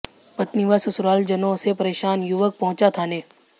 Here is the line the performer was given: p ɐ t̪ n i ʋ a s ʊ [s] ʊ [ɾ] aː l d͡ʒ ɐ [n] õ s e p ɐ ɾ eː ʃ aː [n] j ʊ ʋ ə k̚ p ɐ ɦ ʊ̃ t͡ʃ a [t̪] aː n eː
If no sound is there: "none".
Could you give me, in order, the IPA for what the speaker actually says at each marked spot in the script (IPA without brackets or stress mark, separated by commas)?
s, ɾ, n, n, t̪ʰ